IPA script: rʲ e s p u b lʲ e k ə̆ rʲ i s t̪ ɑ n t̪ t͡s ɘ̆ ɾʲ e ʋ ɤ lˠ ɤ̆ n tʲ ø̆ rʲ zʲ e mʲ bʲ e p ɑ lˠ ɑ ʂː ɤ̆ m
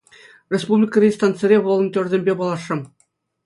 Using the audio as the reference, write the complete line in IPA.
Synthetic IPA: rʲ e s p u b lʲ i k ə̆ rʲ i s t̪ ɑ n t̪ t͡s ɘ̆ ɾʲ e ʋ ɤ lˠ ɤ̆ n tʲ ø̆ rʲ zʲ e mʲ bʲ e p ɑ lˠ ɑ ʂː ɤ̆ m